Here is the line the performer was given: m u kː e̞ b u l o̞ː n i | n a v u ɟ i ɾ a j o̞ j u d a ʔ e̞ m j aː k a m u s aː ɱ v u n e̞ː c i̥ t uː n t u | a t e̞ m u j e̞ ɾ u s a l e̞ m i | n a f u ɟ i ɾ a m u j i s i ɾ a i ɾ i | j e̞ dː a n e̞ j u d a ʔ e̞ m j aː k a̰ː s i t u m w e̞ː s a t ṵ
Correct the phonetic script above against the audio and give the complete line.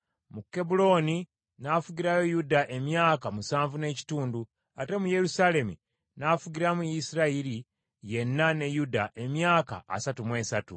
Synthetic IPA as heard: m u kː e̞ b u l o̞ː n i | n a f u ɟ i ɾ a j o̞ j u d a ʔ e̞ m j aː k a m u s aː ɱ v u n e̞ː c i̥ t uː n d u | a t e̞ m u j e̞ ɾ u s a l e̞ m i | n a f u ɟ i ɾ a m u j i s i ɾ a i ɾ i | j e̞ nː a n e̞ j u d a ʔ e̞ m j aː k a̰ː s a t u m w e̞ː s a t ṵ